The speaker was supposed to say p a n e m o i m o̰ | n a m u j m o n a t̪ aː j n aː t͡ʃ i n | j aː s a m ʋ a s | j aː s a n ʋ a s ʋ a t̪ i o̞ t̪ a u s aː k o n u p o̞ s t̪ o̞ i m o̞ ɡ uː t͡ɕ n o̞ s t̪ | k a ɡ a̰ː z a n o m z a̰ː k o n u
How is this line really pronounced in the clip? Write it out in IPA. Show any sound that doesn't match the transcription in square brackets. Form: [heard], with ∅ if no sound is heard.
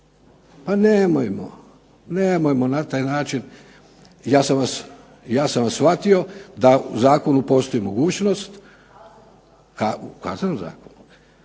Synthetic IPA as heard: p a n e m o [j] m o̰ | n [e] m [o] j m o n a t̪ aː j n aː t͡ʃ i n | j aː s a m ʋ a s | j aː s a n ʋ a s ʋ a t̪ i o̞ [d̪] a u [z] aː k o n u p o̞ s t̪ o̞ i m o̞ ɡ uː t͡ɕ n o̞ s t̪ | k a [k] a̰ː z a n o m z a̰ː k o n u

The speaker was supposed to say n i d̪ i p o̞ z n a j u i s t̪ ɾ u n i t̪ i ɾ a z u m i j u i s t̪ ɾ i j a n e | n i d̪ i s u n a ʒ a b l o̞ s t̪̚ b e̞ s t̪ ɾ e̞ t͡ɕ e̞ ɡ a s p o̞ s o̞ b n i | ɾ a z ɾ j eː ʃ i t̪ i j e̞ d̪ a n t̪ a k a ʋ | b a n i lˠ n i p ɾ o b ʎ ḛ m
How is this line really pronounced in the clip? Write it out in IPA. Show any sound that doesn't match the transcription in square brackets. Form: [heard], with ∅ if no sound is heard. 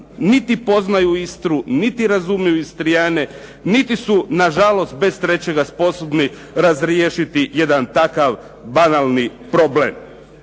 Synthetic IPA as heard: n i [t̪] i p o̞ z n a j u i s t̪ ɾ u n i t̪ i ɾ a z u m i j u i s t̪ ɾ i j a n e | n i [t̪] i s u n a ʒ a [∅] l o̞ s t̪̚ b e̞ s t̪ ɾ e̞ t͡ɕ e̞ ɡ a s p o̞ s o̞ b n i | ɾ a z ɾ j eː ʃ i t̪ i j e̞ d̪ a n t̪ a k a ʋ | b a n [a] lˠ n i p ɾ o b [l] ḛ m

